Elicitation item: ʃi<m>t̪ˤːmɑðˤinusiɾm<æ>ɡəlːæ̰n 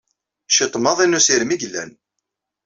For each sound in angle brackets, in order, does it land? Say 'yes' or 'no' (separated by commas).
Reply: no, no